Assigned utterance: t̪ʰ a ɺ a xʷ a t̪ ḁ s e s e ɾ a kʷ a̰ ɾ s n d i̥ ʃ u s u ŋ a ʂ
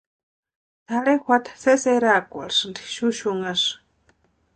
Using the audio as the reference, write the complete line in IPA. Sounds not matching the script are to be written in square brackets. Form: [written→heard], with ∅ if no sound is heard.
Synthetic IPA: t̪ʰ a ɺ [a→e] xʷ a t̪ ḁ s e s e ɾ a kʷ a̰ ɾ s n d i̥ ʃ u [s→ʃ] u ŋ a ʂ

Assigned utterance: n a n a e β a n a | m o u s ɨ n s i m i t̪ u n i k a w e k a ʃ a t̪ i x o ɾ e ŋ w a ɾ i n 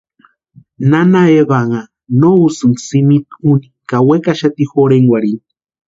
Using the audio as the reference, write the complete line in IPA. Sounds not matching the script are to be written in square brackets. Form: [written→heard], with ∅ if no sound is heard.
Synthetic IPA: n a n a e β a [n→ŋ] a | [m→n] o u s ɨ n s i m i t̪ u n i k a w e k a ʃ a t̪ i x o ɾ e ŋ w a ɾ i n

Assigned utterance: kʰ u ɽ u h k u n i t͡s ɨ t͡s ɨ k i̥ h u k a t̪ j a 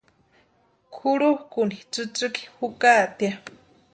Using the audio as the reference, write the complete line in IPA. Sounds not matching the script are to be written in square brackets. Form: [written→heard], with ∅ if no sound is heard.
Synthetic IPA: kʰ u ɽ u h k u n i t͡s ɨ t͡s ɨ k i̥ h u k a t̪ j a

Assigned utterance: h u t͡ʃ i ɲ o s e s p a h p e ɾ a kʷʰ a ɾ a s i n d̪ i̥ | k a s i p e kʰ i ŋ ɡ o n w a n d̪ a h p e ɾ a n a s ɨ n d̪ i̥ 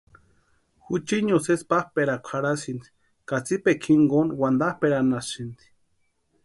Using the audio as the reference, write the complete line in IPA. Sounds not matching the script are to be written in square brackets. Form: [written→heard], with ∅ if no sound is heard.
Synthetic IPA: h u t͡ʃ i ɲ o s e s p a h p e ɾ a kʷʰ a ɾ a s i n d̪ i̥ | k a [s→t͡s] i p e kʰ i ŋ ɡ o n w a n d̪ a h p e ɾ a n a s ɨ n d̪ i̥

